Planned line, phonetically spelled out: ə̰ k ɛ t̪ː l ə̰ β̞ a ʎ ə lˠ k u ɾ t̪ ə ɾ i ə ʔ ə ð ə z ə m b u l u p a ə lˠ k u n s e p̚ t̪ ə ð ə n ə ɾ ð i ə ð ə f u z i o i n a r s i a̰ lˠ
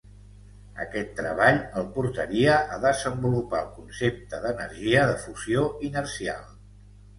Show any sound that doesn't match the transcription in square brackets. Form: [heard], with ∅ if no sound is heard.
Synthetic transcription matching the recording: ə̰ k ɛ t̪ː [ɾ] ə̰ β̞ a ʎ ə lˠ [p] u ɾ t̪ ə ɾ i ə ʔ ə ð ə z ə m b u l u p a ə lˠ k u n s e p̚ t̪ ə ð ə n ə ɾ [ʒ] i ə ð ə f u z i o i n [ə] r s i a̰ lˠ

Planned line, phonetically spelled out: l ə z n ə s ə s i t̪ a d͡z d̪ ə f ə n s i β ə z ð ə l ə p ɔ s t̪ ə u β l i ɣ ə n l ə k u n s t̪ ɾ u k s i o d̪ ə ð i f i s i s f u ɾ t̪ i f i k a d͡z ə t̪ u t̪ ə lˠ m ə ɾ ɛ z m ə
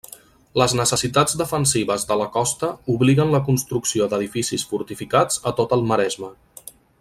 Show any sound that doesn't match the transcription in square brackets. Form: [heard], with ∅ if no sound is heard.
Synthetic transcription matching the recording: l ə z n ə s ə s i t̪ a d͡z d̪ ə f ə n s i β ə z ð ə l ə [k] ɔ s t̪ ə u β l i ɣ ə n l ə k u n s t̪ ɾ u k s i o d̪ ə ð i f i s i s f u ɾ t̪ i f i k a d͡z ə t̪ [o] t̪ ə lˠ m ə ɾ ɛ z m ə

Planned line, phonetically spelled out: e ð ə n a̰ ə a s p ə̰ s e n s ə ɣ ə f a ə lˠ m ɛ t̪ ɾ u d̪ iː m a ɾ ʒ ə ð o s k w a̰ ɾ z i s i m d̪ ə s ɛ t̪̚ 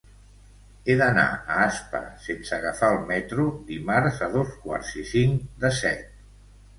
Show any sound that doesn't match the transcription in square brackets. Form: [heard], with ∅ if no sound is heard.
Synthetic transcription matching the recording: e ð ə n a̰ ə a s p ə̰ s e n s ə ɣ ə f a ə lˠ m ɛ t̪ ɾ u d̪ [i] m a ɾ [z] ə ð o s k w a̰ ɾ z i s i [ŋ] d̪ ə s ɛ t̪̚

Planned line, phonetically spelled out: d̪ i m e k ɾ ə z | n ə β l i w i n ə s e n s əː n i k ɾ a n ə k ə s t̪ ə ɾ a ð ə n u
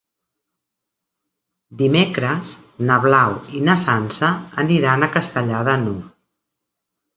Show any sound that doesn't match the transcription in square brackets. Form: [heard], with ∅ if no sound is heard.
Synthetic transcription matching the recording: d̪ i m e k ɾ ə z | n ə β l [a] w i n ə s [a] n s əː n i [∅] ɾ a n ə k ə s t̪ ə [ʎ] a ð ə n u

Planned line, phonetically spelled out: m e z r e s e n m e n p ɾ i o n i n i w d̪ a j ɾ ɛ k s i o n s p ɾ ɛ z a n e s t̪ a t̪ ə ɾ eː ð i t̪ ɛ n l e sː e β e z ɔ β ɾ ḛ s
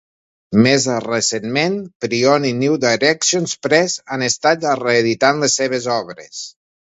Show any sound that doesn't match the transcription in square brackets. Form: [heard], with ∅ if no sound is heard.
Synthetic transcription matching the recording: m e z r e s e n m e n p ɾ i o n i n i w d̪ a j ɾ ɛ k s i o n s p ɾ ɛ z a n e s t̪ a t̪ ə [r] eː ð i t̪ [a] n l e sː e β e z ɔ β ɾ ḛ s

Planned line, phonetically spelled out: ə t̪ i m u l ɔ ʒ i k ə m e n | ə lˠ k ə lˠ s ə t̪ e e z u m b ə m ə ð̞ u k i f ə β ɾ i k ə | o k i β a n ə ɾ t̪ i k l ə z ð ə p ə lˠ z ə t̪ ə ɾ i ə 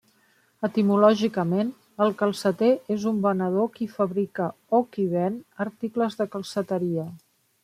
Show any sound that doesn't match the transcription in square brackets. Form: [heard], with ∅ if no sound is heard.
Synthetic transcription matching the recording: ə t̪ i m u l ɔ ʒ i k ə m e n | ə lˠ k ə lˠ s ə t̪ e e z u m b ə [n] ə ð̞ [o] k i f ə β ɾ i k ə | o k i β [ɛ] n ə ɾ t̪ i k l ə z ð ə [k] ə lˠ [s] ə t̪ ə ɾ i ə

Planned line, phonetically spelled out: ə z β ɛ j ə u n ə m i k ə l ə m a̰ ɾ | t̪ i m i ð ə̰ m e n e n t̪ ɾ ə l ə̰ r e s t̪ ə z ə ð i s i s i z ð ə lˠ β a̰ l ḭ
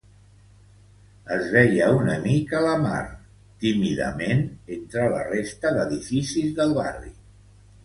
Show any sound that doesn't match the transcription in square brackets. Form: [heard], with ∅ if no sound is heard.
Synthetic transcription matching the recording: ə z β ɛ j ə u n ə m i k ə l ə m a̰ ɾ | t̪ i m i ð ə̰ m e n e n t̪ ɾ ə l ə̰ r e s t̪ ə [ð] ə ð i [f] i s i z ð ə lˠ β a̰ [r] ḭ

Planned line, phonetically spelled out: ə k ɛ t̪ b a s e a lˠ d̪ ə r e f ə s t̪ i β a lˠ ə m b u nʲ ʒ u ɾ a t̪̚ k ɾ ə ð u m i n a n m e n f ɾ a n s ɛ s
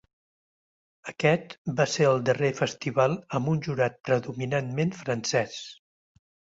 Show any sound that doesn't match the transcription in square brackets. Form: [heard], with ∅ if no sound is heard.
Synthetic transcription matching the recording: ə k ɛ t̪ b a s e [ə] lˠ d̪ ə r e f ə s t̪ i β a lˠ ə m b u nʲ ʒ u ɾ a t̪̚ [p] ɾ ə ð u m i n a n m e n f ɾ [ə] n s ɛ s

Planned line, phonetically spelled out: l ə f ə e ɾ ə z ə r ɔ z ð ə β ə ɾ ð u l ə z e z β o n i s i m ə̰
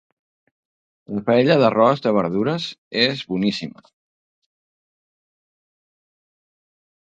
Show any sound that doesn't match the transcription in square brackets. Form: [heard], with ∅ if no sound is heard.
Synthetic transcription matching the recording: l ə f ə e [ʎ] ə [ð] ə r ɔ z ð ə β ə ɾ ð u [ɾ] ə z e z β [u] n i s i m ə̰

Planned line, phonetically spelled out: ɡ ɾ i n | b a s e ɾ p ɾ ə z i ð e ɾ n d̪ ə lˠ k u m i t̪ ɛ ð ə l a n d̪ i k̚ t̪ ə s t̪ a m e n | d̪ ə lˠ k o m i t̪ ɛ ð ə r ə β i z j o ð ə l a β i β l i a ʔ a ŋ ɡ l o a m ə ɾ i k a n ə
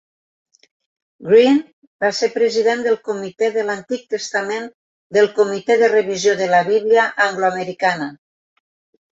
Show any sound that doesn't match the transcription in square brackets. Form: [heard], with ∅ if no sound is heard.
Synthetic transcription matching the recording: ɡ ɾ i n | b a s e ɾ p ɾ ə z i ð e [∅] n d̪ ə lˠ k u m i t̪ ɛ ð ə l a n [t̪] i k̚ t̪ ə s t̪ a m e n | d̪ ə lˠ k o m i t̪ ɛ ð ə r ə β i z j o ð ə l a β i β l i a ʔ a ŋ ɡ l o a m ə ɾ i k a n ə

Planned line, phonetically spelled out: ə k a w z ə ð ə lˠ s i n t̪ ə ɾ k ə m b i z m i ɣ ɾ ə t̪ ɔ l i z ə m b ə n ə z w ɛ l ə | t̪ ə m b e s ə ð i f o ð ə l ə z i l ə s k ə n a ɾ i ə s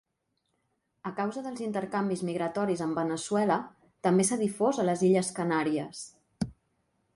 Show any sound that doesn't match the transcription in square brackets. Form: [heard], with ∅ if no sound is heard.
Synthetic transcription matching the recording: ə k a w z ə ð ə lˠ [z] i n t̪ ə ɾ k [a] m b i z m i ɣ ɾ ə t̪ ɔ [ɾ] i z ə m b ə n ə [s] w ɛ l ə | t̪ ə m b e s ə ð i f o [z] ə l ə z i [ʎ] ə s k ə n a ɾ i ə s

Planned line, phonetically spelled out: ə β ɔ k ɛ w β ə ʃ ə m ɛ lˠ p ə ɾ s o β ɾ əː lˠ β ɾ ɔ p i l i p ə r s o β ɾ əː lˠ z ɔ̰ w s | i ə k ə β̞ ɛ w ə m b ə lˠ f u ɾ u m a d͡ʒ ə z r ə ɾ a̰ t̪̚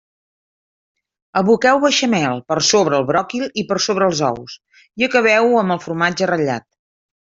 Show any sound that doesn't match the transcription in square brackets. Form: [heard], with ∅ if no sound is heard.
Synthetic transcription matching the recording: ə β [u] k ɛ w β ə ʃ ə m ɛ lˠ p ə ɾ s o β ɾ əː lˠ β ɾ ɔ [k] i l i p ə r s o β ɾ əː lˠ z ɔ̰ w s | i ə k ə β̞ ɛ w ə m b ə lˠ f u ɾ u m a d͡ʒ ə [∅] r ə [ʎ] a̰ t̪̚

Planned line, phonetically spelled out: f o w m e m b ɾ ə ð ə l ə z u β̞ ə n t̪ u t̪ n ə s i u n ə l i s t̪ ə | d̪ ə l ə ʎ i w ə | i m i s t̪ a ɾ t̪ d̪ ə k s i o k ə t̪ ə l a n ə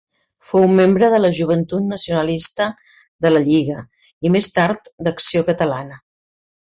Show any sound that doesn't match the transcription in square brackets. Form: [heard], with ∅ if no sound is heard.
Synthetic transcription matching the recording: f o w m e m b ɾ ə ð ə l ə [ʒ] u β̞ ə n t̪ u t̪ n ə s i u n ə l i s t̪ ə | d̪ ə l ə ʎ i [ɣ] ə | i m [e] s t̪ a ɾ t̪ d̪ ə k s i o k ə t̪ ə l a n ə

